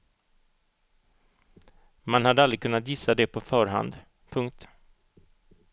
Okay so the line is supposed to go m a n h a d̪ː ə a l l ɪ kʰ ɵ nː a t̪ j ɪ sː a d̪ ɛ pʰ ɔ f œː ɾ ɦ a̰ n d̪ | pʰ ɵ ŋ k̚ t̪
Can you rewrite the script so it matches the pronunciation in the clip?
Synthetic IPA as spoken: m a n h a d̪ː ə a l ɾ ɪ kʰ ɵ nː a t̪ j ɪ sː a d̪ ɛ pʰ ɔ f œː ɾ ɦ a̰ n d̪ | pʰ ɵ ŋ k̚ t̪